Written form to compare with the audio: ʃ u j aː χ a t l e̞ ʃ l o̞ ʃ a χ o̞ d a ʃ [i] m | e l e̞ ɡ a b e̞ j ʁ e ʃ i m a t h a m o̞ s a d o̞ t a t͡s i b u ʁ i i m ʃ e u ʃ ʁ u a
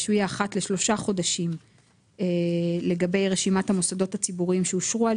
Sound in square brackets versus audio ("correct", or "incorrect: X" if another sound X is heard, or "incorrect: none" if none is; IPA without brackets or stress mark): correct